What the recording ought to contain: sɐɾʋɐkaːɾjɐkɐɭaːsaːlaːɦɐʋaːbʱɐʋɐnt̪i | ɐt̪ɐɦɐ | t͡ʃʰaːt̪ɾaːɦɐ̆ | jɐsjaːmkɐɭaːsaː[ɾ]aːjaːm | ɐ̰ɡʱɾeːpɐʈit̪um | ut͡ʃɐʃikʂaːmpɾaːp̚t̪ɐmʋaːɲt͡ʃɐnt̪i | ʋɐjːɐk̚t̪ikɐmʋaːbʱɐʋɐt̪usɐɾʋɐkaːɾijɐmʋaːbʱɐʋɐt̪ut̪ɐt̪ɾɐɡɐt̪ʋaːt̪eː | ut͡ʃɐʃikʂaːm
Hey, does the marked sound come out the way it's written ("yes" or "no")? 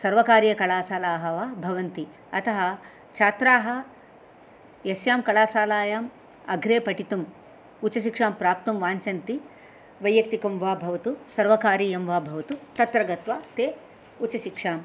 no